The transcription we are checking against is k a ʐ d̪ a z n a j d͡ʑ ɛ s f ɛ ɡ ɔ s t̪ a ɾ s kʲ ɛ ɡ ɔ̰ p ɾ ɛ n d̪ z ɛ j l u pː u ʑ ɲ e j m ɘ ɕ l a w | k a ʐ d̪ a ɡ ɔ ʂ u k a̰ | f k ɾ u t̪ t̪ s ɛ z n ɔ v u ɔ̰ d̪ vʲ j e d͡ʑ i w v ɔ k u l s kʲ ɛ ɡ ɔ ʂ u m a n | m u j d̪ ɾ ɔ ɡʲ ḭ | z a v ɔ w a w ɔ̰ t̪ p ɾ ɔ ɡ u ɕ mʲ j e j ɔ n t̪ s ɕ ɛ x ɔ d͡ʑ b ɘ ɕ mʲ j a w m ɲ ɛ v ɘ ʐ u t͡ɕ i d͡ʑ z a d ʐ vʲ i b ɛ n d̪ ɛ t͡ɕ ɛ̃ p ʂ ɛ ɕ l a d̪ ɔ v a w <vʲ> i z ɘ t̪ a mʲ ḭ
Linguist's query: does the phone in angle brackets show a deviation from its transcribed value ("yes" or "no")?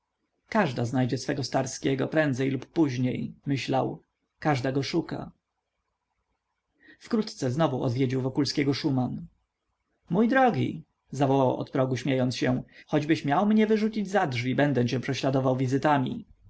no